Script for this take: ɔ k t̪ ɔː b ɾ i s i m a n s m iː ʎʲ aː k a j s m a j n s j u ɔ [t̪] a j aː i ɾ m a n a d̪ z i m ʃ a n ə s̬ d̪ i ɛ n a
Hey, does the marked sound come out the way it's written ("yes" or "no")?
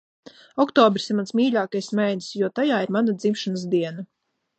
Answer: yes